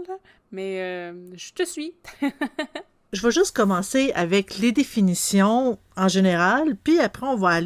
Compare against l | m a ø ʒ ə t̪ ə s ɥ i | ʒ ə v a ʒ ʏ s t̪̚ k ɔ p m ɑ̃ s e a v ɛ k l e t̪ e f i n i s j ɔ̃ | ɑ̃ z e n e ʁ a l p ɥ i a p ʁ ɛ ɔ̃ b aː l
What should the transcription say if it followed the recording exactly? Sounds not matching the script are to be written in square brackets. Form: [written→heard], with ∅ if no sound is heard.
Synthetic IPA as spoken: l | m [a→ɛ] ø ʒ ə t̪ ə s ɥ i | ʒ ə v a ʒ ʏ s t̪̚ k ɔ [p→∅] m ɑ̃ s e a v ɛ k l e [t̪→d̪] e f i n i s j ɔ̃ | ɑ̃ [z→ʒ] e n e ʁ a l p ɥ i a p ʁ ɛ ɔ̃ [b→v] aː l